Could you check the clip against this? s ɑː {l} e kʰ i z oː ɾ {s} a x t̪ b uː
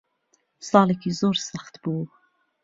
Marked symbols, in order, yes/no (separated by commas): yes, yes